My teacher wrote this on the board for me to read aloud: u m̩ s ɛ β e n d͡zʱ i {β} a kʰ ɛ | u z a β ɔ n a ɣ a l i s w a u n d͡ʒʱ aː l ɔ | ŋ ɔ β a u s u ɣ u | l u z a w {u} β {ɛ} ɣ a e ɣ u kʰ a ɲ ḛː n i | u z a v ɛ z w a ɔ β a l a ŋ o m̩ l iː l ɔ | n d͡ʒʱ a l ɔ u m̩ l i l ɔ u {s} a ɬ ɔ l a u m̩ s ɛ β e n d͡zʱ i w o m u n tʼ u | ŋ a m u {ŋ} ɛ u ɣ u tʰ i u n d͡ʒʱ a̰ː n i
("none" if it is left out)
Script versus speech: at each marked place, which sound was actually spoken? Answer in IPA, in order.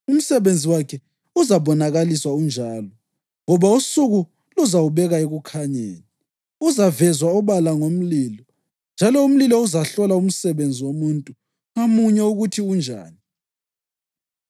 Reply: w, u, ɛ, z, ɲ

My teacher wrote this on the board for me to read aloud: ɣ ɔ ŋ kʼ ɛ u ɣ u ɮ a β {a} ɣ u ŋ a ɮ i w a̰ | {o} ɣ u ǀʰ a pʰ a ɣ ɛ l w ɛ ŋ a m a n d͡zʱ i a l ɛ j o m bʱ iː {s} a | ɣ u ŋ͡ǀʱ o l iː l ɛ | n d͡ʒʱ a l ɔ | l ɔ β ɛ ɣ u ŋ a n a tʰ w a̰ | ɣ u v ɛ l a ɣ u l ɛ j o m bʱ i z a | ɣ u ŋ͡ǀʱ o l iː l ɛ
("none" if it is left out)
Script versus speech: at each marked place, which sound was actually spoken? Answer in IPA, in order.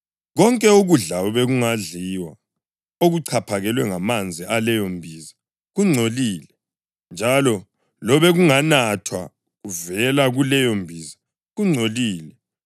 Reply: ɛ, o, z

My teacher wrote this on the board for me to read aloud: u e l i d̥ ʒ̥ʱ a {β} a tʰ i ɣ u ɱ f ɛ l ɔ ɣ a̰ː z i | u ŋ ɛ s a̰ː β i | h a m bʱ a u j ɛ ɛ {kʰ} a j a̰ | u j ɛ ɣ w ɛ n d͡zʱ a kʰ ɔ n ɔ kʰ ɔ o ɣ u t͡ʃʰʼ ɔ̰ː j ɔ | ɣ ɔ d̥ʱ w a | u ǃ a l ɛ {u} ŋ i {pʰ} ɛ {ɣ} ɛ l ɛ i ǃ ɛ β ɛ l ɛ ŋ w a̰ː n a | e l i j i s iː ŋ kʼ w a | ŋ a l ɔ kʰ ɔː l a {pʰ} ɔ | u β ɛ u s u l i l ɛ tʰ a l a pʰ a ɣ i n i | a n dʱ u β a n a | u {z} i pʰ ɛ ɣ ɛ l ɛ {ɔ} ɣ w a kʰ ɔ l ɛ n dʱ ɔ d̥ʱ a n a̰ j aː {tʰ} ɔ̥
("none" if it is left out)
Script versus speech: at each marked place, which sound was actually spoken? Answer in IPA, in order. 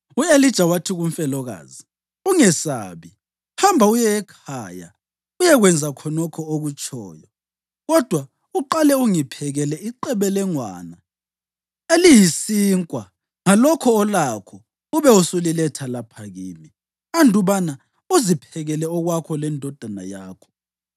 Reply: w, kʰ, u, pʰ, ɣ, kʰ, z, ɔ, kʰ

